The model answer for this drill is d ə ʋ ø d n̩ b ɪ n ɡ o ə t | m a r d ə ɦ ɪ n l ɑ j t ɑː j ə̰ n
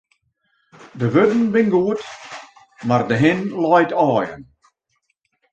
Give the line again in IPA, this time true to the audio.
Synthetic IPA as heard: d ə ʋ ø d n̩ b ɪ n ɡ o ə t | m a r d ə ɦ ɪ n l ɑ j t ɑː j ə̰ n